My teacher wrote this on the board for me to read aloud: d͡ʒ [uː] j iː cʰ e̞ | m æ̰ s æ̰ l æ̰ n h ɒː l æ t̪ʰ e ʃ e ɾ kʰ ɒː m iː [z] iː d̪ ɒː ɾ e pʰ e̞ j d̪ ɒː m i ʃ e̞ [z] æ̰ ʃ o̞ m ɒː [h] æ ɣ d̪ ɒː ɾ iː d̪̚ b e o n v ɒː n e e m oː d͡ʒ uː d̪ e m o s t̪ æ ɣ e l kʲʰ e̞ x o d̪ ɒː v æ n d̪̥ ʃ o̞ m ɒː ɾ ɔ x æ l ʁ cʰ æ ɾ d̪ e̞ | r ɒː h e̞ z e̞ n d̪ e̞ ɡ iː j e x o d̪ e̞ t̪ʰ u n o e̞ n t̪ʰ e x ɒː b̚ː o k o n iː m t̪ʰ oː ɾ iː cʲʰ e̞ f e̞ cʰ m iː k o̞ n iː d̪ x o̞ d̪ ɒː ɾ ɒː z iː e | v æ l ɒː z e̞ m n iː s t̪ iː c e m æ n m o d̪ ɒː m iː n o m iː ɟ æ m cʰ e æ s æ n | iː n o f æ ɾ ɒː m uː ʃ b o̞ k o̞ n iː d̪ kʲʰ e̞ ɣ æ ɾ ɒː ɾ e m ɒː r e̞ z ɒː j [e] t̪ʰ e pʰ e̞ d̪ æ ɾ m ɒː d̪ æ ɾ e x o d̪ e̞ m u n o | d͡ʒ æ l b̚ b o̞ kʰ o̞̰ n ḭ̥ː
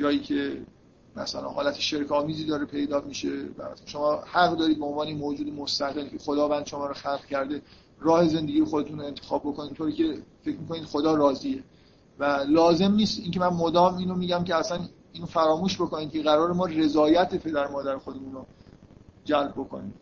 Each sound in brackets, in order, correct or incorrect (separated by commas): incorrect, correct, incorrect, correct, incorrect